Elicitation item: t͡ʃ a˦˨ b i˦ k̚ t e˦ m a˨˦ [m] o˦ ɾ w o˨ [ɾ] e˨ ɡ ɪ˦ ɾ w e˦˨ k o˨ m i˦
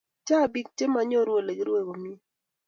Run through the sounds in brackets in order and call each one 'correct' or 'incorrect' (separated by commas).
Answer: incorrect, incorrect